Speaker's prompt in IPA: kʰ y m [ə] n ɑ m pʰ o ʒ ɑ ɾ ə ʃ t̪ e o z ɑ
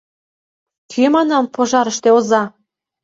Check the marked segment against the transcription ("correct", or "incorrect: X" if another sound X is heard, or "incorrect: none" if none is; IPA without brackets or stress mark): incorrect: ɑ